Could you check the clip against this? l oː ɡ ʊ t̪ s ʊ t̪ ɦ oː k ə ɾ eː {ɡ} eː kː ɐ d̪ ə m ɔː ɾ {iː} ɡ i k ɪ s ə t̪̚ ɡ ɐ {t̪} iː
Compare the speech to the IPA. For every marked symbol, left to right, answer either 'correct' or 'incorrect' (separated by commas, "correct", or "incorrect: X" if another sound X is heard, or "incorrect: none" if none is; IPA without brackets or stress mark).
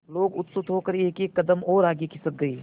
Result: incorrect: k, incorrect: aː, incorrect: none